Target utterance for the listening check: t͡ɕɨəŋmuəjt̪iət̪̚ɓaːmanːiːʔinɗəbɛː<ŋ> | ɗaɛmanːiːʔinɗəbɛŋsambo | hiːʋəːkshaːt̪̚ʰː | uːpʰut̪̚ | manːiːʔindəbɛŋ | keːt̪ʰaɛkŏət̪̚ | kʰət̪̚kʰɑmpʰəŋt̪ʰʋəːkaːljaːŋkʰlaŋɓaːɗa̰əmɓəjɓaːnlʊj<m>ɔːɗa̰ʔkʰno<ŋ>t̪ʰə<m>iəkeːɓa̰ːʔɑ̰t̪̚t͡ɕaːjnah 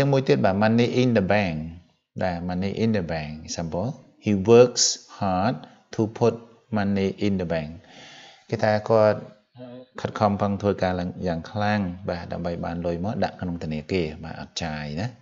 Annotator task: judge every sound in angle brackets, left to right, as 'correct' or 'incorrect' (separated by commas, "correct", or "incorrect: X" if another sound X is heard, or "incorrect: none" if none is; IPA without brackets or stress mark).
correct, correct, correct, incorrect: n